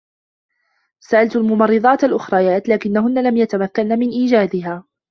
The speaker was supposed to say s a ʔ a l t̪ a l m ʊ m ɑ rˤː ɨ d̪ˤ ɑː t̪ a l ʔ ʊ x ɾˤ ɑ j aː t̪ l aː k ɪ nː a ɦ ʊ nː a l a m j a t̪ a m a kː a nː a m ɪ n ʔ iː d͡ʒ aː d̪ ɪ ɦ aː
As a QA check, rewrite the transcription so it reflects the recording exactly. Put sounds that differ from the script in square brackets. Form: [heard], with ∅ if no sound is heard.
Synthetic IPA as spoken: s a ʔ a l t̪ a l m ʊ m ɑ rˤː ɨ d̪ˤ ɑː t̪ a l ʔ ʊ x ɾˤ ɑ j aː t̪ l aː k ɪ nː a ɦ ʊ nː a l a m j a t̪ a m a kː a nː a m ɪ n ʔ iː d͡ʒ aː d̪ ɪ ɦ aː